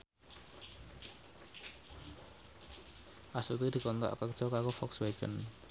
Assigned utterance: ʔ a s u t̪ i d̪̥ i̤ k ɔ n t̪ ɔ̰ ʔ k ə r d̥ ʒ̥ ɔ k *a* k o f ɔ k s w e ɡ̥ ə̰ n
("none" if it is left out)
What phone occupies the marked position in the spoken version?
a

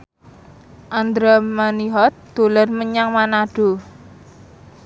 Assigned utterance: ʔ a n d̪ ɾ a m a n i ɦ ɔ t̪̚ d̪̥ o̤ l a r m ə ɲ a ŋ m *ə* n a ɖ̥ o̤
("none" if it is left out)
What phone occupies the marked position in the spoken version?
a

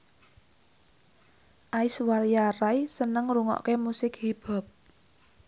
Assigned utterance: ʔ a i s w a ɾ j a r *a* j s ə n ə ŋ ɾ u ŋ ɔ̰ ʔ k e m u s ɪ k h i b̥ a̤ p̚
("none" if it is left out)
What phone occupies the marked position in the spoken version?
a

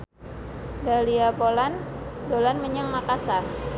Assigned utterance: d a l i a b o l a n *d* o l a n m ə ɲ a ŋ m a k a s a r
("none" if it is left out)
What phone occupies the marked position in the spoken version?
d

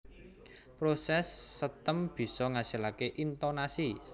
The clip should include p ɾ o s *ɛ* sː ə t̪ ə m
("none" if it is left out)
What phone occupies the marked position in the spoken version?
ɛ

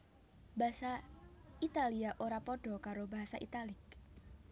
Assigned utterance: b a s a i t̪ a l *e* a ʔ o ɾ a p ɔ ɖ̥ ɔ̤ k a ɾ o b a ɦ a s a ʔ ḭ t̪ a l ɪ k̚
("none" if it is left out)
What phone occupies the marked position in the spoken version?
i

